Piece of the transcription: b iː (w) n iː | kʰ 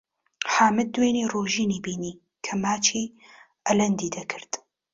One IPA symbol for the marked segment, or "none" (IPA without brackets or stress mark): none